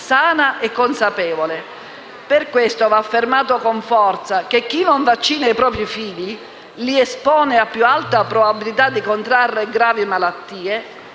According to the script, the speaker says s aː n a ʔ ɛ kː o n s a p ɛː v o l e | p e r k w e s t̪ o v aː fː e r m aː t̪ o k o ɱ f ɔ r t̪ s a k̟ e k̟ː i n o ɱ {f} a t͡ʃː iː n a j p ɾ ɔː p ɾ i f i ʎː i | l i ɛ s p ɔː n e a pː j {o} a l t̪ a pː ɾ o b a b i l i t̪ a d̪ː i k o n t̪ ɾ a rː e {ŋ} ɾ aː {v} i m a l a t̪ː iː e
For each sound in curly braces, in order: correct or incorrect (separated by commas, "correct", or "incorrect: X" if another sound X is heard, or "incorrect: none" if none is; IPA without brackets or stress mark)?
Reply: incorrect: v, incorrect: u, incorrect: ɡ, correct